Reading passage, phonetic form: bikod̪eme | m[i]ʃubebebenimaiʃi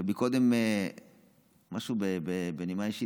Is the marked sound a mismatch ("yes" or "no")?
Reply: yes